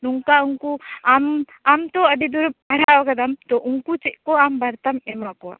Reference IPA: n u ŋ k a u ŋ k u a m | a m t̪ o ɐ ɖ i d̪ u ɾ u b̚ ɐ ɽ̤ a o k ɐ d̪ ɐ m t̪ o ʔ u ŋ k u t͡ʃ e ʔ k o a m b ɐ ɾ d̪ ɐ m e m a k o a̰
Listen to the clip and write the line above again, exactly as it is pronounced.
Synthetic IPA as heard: n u ŋ k a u ŋ k u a m | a m t̪ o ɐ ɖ i d̪ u ɾ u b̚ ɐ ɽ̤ a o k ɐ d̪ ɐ m t̪ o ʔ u ŋ k u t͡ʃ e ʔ k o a m b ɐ ɾ t̪ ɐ m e m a k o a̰